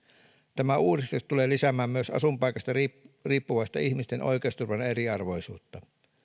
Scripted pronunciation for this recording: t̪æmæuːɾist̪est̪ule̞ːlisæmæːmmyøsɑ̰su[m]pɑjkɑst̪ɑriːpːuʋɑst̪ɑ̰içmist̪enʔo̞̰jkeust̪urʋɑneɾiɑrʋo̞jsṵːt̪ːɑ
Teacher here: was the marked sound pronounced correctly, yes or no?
yes